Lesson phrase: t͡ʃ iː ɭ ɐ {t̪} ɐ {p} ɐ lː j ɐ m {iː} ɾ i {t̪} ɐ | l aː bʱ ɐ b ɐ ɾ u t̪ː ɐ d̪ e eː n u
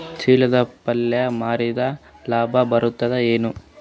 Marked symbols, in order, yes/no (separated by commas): no, yes, no, no